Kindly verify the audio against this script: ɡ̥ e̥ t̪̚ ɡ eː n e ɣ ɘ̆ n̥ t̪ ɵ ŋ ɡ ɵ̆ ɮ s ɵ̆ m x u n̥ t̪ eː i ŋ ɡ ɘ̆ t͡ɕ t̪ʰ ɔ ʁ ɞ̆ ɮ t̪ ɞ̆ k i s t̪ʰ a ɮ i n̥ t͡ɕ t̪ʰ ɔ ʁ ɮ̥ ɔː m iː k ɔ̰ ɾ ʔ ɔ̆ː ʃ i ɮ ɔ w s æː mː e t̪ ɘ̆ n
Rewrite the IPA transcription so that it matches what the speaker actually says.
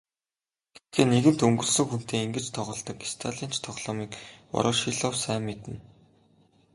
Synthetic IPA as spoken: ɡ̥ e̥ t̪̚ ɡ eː n e ɣ ɘ̆ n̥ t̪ ɵ ŋ ɡ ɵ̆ ɮ s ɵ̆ ŋ x u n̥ t̪ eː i ŋ ɡ ɘ̆ t͡ɕ t̪ʰ ɔ ʁ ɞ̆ ɮ t̪ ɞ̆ k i s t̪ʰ a ɮ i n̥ t͡ɕ t̪ʰ ɔ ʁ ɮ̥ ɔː m iː k ɔ̰ ɾ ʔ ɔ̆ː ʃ i ɮ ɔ w s æː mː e t̪ ɘ̆ n